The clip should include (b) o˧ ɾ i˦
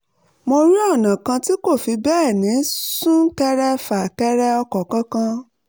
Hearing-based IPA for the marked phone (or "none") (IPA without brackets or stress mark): m